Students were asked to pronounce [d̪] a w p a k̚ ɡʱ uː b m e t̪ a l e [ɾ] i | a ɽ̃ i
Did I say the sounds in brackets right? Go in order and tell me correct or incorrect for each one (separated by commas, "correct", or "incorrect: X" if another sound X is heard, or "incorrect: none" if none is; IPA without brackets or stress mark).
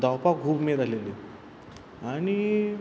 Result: correct, incorrect: l